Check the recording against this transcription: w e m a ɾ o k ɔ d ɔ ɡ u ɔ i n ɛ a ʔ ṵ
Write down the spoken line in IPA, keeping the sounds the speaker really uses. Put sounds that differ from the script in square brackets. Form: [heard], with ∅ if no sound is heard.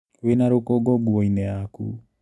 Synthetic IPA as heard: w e [n] a ɾ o k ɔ [ɡ] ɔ ɡ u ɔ i n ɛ a [k] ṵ